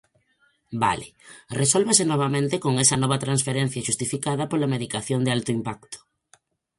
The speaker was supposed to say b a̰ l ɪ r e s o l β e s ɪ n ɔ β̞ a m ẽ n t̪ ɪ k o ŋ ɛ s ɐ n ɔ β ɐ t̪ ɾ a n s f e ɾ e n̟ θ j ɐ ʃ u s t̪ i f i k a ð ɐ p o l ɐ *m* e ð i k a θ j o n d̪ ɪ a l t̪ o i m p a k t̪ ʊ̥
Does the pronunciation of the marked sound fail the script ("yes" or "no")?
no